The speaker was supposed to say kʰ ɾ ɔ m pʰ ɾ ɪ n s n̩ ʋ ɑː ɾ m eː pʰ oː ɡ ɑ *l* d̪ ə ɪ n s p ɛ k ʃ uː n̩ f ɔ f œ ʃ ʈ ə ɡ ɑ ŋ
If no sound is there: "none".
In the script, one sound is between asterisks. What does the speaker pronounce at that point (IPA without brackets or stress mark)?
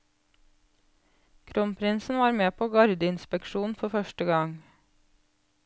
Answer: ɾ